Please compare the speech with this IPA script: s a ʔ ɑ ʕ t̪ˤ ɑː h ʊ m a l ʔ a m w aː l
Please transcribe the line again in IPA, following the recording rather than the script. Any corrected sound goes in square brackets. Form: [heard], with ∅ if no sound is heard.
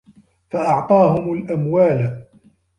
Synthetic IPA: [f] a ʔ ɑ ʕ t̪ˤ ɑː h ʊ m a l ʔ a m w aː l